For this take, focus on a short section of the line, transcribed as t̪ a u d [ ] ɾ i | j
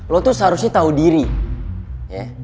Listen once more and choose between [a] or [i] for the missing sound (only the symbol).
i